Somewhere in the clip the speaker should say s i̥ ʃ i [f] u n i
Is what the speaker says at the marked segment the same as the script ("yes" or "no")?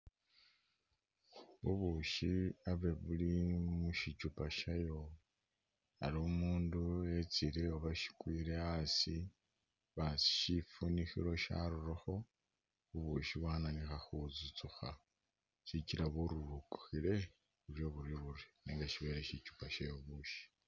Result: yes